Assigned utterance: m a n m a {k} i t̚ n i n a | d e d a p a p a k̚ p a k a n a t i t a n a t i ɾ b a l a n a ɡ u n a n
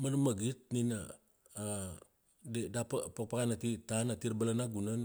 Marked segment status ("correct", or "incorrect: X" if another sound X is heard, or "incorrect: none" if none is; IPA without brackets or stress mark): incorrect: ɡ